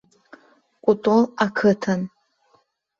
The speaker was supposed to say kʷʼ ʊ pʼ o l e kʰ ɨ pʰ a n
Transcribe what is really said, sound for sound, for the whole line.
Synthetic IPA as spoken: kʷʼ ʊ tʼ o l a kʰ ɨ tʰ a n